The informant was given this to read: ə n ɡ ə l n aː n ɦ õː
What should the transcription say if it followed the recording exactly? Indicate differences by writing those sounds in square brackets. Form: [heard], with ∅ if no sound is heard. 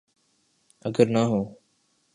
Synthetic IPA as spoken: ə [∅] ɡ ə [ɾ] n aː [∅] ɦ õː